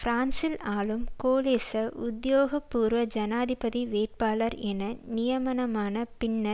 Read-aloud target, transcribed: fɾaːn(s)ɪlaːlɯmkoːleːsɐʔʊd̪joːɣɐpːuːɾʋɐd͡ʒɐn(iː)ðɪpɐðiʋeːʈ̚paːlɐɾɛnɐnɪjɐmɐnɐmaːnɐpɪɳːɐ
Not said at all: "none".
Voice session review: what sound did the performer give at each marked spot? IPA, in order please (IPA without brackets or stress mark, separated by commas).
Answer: s, aː